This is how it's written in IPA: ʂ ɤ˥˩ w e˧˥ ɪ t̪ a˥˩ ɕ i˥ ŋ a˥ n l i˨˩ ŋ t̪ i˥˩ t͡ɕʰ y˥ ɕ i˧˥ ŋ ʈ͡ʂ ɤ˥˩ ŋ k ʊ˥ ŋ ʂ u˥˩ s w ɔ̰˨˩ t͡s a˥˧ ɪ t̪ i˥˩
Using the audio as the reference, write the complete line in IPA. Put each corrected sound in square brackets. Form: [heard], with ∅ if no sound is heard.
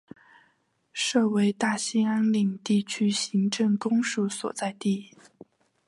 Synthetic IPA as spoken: ʂ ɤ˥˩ w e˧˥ ɪ t̪ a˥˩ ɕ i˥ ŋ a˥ n l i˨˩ ŋ t̪ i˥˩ t͡ɕʰ y˥ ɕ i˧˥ ŋ ʈ͡ʂ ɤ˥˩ ŋ k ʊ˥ ŋ ʂ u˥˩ s w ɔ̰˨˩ t͡s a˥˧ ɪ t̪ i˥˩